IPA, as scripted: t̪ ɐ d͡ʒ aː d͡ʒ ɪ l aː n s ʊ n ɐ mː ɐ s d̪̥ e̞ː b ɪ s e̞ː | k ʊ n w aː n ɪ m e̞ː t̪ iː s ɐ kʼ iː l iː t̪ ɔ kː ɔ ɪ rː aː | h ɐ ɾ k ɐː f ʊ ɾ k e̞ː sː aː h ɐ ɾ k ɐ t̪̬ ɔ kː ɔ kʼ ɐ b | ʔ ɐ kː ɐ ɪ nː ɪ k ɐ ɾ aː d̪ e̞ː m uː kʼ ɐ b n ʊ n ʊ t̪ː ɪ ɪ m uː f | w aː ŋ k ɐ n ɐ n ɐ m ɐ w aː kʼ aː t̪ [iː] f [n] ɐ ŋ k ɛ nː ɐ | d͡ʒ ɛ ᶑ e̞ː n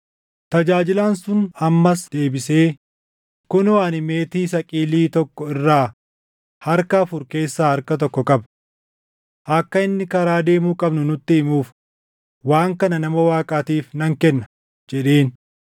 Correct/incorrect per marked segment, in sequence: correct, correct

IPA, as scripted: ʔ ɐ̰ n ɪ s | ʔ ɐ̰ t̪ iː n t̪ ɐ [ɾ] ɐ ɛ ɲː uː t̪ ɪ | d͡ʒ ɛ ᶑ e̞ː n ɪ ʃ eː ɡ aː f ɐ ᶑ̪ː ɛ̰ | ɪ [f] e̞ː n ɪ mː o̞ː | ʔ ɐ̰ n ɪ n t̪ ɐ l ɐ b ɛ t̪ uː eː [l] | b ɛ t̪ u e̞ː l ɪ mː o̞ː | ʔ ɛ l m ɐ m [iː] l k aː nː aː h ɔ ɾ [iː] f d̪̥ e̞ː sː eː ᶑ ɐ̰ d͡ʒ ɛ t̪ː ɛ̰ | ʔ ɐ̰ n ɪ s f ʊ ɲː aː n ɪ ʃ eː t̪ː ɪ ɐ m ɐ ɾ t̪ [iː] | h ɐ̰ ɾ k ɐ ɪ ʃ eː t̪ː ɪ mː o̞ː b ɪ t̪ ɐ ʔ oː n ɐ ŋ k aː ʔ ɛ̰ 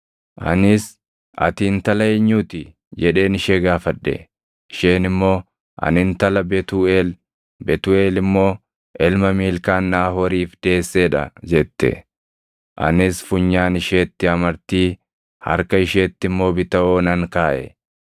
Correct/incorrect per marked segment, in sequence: incorrect: l, incorrect: ʃ, correct, correct, correct, correct

